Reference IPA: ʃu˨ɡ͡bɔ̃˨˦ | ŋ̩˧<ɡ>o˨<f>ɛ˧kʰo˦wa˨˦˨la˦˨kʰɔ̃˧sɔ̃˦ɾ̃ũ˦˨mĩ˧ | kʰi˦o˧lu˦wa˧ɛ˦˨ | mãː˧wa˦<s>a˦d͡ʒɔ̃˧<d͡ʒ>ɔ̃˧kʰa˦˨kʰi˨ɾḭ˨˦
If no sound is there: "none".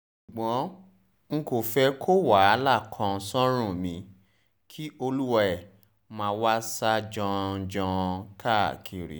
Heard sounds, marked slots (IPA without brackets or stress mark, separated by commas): k, f, s, d͡ʒ